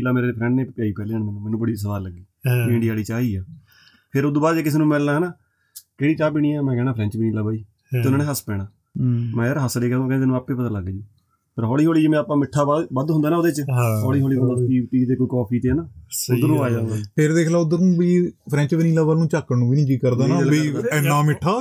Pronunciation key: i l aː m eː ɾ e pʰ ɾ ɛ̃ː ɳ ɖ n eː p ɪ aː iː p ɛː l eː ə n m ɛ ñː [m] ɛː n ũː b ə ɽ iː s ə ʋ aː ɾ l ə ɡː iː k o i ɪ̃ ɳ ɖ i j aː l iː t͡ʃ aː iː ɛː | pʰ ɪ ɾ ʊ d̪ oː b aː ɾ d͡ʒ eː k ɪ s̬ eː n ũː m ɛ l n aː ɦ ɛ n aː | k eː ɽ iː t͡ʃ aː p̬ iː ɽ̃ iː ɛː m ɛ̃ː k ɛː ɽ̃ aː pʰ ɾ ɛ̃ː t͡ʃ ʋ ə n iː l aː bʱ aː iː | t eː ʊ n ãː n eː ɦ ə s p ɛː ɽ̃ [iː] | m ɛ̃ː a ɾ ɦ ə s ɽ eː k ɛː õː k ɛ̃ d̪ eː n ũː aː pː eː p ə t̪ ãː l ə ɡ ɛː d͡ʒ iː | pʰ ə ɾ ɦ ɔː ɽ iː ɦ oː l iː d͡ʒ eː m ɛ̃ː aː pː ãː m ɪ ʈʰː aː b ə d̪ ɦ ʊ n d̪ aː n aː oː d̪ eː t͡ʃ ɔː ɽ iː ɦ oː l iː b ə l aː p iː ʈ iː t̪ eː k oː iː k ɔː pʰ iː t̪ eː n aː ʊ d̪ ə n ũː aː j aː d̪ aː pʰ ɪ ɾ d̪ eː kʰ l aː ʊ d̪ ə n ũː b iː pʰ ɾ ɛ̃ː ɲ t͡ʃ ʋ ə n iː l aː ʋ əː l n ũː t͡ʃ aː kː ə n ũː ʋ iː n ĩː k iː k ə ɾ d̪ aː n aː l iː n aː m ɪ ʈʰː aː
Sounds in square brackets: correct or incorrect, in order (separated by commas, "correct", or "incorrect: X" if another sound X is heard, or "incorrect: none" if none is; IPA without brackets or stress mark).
correct, incorrect: aː